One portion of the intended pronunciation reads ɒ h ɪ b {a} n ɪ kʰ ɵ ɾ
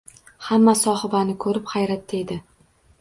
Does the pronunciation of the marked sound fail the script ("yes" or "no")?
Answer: no